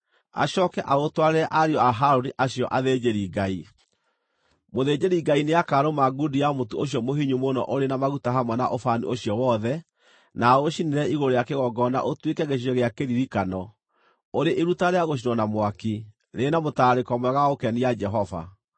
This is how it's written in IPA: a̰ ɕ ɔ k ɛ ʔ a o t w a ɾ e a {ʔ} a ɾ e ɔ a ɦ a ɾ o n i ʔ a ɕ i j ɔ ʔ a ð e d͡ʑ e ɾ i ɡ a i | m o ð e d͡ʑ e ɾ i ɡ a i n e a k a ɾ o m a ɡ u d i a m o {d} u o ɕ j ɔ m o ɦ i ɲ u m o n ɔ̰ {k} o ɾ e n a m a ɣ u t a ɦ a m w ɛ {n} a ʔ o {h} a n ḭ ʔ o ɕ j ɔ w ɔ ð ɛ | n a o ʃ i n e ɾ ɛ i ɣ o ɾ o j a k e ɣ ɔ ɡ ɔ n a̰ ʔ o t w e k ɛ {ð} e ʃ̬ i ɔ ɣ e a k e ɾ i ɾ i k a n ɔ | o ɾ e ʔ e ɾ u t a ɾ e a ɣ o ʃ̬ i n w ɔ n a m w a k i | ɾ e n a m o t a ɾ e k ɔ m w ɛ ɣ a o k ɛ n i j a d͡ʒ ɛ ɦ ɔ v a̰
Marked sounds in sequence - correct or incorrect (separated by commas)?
correct, incorrect, incorrect, correct, incorrect, incorrect